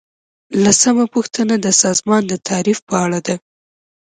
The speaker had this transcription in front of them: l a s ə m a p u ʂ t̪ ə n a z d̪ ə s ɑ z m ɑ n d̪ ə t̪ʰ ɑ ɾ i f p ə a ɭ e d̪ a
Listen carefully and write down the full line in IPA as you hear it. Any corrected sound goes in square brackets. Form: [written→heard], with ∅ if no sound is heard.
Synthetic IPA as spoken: l a s [ə→a] m a p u [ʂ→x] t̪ ə n a [z→∅] d̪ ə s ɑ z m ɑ n d̪ ə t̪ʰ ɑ ɾ i f p ə a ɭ [e→a] d̪ a